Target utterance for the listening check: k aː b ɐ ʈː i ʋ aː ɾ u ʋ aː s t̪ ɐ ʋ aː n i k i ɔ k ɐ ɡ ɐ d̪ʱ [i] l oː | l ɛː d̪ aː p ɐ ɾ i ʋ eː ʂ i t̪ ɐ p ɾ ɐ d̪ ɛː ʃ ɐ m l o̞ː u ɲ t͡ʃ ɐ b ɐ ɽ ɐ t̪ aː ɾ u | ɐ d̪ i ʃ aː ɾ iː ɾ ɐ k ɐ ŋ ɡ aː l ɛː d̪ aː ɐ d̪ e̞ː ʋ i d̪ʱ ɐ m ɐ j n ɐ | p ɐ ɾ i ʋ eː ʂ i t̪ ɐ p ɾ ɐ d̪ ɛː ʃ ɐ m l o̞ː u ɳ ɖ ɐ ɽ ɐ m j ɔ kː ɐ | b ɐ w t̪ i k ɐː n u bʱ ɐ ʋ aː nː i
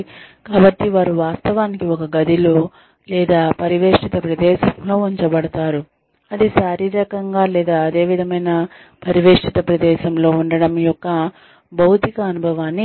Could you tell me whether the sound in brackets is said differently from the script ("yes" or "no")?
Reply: no